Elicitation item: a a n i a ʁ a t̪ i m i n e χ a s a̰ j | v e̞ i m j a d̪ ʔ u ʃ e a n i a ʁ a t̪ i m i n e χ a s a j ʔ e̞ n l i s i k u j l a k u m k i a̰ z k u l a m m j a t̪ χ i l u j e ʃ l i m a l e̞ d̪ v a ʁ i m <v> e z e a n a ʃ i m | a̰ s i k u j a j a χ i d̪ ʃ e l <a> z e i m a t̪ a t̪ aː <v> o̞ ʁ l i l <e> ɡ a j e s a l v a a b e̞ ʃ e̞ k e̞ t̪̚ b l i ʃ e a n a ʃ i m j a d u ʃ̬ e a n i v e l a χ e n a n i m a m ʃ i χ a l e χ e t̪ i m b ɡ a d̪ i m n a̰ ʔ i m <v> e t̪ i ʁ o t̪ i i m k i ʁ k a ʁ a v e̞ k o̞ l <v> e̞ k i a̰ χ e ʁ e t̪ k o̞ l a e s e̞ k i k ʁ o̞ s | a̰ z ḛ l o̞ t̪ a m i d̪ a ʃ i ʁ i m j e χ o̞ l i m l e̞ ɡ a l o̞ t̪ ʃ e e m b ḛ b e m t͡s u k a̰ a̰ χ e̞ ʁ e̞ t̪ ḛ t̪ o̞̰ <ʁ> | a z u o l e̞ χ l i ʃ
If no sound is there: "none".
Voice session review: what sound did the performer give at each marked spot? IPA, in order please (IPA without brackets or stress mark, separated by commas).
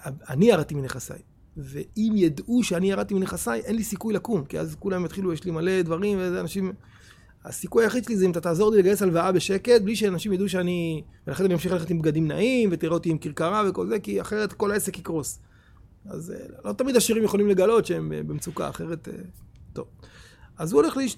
v, i, z, e, v, z, v